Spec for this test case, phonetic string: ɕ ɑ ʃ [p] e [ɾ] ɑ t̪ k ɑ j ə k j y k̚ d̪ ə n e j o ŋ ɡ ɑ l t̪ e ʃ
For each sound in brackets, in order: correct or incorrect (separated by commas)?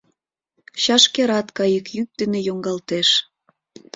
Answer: incorrect, correct